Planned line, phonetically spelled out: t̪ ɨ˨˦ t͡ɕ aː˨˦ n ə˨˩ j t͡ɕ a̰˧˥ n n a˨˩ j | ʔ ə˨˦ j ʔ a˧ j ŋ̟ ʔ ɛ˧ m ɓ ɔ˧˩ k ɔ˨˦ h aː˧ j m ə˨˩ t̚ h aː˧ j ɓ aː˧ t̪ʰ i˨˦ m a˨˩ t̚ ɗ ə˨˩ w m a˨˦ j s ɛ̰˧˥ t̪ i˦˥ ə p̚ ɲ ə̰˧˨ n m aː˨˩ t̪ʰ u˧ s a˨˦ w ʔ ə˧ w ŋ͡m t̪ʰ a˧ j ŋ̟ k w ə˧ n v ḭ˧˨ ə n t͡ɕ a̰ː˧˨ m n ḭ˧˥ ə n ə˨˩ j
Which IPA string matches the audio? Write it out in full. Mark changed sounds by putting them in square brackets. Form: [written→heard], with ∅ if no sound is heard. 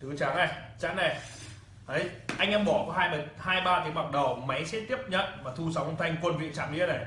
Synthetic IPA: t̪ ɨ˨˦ t͡ɕ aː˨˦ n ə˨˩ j t͡ɕ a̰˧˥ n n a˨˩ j | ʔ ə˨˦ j ʔ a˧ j ŋ̟ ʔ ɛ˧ m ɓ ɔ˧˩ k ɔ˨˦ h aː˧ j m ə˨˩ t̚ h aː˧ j ɓ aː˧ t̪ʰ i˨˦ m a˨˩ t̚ ɗ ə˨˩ w m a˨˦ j s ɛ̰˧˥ t̪ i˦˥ ə p̚ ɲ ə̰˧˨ n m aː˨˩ t̪ʰ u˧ s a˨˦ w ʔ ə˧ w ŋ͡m t̪ʰ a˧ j ŋ̟ k w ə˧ n v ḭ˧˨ ə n t͡ɕ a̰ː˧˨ m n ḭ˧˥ ə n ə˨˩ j